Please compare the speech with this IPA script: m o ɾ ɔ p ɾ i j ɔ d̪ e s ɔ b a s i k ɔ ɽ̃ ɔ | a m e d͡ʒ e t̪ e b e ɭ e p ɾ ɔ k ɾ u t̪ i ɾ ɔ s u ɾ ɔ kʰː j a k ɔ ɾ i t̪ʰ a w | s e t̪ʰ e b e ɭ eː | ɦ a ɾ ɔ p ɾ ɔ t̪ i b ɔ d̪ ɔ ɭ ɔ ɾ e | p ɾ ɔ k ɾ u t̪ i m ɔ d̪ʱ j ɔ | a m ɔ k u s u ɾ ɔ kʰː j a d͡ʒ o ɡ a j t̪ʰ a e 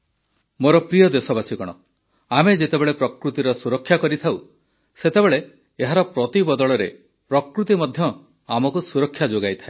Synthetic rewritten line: m o ɾ ɔ p ɾ i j ɔ d̪ e s ɔ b a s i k ɔ ɽ̃ ɔ | a m e d͡ʒ e t̪ e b e ɭ e p ɾ ɔ k ɾ u t̪ i ɾ ɔ s u ɾ ɔ kʰː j a k ɔ ɾ i t̪ʰ a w | s e t̪ e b e ɭ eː | ɦ a ɾ ɔ p ɾ ɔ t̪ i b ɔ d̪ ɔ ɭ ɔ ɾ e | p ɾ ɔ k ɾ u t̪ i m ɔ d̪ʱ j ɔ | a m ɔ k u s u ɾ ɔ kʰː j a d͡ʒ o ɡ a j t̪ʰ a e